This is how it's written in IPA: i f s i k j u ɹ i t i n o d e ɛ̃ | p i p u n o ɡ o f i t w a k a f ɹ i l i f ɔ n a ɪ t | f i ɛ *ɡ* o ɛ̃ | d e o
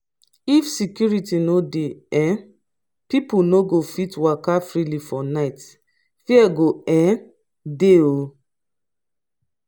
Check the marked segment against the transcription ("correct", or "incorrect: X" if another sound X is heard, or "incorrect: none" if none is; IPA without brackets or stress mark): correct